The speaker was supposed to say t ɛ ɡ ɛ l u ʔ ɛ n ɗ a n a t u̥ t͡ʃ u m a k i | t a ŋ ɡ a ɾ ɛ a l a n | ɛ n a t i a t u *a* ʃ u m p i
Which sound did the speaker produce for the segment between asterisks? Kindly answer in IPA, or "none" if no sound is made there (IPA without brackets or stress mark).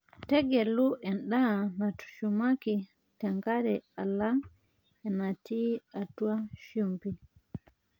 a